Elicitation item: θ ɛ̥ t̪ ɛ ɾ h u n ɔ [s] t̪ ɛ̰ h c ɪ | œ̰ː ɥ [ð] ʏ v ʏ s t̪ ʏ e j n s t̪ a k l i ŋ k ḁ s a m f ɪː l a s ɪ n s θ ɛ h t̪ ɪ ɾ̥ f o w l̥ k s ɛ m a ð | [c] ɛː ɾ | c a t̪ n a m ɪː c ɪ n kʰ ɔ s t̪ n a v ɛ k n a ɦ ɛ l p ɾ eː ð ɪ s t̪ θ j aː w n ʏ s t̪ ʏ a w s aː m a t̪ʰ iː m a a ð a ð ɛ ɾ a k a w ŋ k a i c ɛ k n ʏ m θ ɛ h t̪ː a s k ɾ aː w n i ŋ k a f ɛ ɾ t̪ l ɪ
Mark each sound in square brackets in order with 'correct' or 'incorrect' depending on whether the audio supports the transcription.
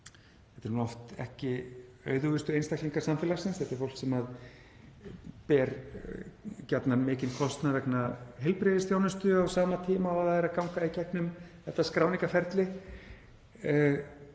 incorrect: f, correct, incorrect: p

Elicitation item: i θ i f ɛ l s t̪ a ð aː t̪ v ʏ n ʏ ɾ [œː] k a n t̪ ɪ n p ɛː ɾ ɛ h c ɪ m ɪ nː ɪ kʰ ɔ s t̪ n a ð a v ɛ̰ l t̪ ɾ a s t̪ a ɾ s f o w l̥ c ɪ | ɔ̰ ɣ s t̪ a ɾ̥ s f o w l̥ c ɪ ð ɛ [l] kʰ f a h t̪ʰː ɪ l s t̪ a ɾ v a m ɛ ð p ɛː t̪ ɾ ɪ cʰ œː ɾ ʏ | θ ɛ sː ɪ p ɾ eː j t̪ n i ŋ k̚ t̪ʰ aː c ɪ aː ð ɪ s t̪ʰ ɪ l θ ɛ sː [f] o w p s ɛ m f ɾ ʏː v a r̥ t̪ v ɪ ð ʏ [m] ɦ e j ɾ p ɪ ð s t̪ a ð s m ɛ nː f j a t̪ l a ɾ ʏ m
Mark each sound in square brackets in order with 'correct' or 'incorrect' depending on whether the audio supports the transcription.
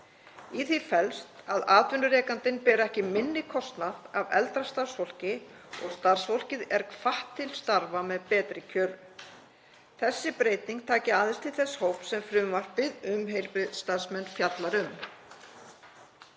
incorrect: ɛː, incorrect: ɾ, incorrect: h, correct

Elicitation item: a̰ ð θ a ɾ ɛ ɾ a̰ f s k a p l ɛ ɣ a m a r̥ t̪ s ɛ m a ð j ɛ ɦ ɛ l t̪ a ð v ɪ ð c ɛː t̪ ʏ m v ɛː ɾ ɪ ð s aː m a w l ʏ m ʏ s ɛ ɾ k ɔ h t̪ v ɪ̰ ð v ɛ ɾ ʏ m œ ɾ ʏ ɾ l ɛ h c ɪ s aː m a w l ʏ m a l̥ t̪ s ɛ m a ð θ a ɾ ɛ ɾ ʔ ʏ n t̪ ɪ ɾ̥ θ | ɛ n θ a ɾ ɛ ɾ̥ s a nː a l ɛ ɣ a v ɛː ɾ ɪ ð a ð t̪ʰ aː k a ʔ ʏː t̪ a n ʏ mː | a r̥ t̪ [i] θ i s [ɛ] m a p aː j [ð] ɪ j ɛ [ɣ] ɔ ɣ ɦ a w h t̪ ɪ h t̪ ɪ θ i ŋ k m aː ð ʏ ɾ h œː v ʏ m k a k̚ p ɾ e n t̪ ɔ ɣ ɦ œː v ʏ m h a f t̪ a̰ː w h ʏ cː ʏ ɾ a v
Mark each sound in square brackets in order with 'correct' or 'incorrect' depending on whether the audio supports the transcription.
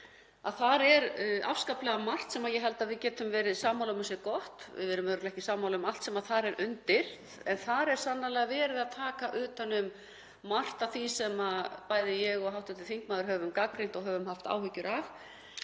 incorrect: a, correct, correct, correct

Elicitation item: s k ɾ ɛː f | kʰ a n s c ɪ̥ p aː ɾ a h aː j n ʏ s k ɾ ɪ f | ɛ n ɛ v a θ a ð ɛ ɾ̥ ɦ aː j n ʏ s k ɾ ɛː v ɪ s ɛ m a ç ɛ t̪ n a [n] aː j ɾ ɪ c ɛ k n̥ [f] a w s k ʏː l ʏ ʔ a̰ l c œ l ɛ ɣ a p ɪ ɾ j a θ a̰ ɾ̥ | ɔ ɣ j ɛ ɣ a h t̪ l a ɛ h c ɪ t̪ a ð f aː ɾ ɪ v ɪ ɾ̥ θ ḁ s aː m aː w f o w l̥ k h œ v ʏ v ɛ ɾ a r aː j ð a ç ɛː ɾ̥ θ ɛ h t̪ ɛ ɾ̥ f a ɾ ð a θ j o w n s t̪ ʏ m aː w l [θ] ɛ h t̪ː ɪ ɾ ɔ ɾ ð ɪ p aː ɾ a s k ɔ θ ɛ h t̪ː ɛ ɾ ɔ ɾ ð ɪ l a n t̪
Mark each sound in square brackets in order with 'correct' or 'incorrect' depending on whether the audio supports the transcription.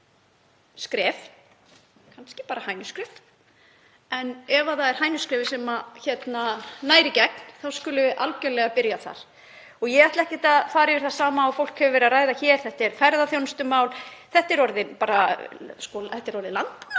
correct, incorrect: θ, correct

